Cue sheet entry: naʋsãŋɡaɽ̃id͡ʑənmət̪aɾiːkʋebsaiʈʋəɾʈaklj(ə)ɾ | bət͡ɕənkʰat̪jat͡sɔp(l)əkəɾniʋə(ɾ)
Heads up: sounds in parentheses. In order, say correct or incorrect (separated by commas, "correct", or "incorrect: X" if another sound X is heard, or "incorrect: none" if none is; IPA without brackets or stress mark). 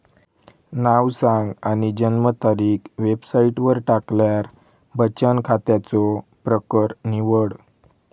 incorrect: a, incorrect: ɾ, incorrect: ɽ